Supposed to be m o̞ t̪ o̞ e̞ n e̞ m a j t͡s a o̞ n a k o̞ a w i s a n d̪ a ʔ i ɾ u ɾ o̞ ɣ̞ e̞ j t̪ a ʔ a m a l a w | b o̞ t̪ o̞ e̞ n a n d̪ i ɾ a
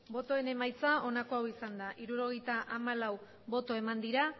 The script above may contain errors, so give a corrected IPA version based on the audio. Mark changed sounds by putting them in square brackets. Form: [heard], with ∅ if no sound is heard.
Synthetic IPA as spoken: [b] o̞ t̪ o̞ e̞ n e̞ m a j t͡s a o̞ n a k o̞ a w i s a n d̪ a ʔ i ɾ u ɾ o̞ ɣ̞ e̞ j t̪ a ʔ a m a l a w | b o̞ t̪ o̞ e̞ [m] a n d̪ i ɾ a